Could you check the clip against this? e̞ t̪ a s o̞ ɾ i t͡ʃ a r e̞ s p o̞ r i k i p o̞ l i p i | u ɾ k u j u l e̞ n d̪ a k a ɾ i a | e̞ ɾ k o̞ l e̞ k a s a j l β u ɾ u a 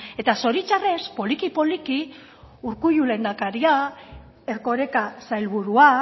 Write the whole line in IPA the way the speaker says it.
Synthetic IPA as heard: e̞ t̪ a s o̞ ɾ i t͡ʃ a r e̞ s p o̞ l i k i p o̞ l i k i | u ɾ k u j u l e̞ n d̪ a k a ɾ i a | e̞ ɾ k o̞ ɾ e̞ k a s a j l β u ɾ u a